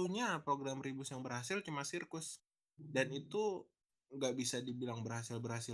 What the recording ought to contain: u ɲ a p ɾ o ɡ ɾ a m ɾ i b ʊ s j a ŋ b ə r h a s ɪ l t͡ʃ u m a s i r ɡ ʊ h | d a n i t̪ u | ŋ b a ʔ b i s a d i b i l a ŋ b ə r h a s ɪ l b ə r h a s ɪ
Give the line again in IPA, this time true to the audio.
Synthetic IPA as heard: u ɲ a p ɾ o ɡ ɾ a m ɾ i b ʊ s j a ŋ b ə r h a s ɪ l t͡ʃ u m a s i r k ʊ s | d a n i t̪ u | ŋ ɡ a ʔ b i s a d i b i l a ŋ b ə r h a s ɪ l b ə r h a s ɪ